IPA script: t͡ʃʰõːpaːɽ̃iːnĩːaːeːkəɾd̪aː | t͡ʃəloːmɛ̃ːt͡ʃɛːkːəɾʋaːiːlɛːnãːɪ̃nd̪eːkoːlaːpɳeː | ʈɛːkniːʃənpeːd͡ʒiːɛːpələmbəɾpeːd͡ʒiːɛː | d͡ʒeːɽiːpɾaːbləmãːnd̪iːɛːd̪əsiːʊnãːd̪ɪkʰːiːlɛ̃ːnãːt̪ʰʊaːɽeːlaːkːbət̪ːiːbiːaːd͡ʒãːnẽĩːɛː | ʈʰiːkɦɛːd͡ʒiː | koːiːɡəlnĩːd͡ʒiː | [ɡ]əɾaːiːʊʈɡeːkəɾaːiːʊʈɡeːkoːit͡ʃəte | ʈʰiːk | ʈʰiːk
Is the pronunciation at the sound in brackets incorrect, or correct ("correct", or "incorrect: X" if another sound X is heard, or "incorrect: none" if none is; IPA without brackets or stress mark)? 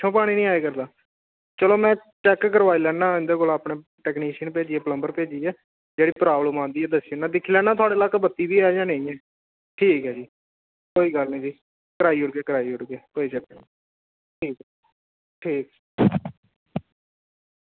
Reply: incorrect: k